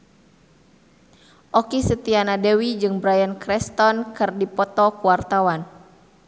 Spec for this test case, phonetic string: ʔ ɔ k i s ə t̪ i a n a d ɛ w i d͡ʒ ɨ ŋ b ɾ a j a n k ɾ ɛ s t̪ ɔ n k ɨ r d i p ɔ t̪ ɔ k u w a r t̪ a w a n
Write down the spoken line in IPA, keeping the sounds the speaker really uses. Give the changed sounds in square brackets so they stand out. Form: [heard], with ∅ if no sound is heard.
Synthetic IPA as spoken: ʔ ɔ k i s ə t̪ i a n a d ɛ w i d͡ʒ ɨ ŋ b ɾ a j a n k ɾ ɛ s t̪ ɔ n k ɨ r d i p ɔ t̪ ɔ k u w a r t̪ a w a n